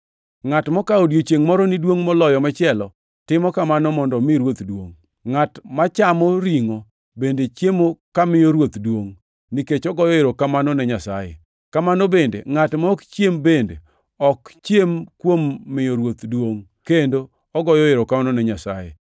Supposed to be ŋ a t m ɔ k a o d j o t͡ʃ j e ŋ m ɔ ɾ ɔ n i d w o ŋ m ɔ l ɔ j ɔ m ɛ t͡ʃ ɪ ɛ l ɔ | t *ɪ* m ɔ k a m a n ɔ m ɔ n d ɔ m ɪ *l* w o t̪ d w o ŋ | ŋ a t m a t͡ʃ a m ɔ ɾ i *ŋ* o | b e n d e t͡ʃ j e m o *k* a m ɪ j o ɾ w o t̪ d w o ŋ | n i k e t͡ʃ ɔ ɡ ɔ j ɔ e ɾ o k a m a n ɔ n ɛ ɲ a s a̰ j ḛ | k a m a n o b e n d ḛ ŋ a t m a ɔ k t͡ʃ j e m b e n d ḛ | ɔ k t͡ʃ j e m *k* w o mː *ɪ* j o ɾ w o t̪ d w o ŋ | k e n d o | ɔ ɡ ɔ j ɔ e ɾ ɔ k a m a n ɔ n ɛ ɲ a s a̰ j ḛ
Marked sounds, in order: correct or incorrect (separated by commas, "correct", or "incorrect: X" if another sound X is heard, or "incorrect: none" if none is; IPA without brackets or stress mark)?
correct, incorrect: ɾ, correct, correct, correct, correct